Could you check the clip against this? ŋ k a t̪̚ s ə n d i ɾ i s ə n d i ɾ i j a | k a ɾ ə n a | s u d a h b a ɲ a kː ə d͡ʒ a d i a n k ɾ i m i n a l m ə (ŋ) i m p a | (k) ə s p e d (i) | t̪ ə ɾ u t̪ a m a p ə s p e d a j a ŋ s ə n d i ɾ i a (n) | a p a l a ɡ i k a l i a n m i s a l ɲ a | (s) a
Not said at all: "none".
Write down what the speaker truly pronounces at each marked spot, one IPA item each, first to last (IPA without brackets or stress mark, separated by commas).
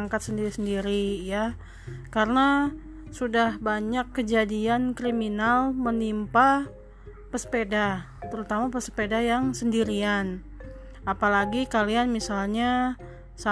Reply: n, p, a, n, s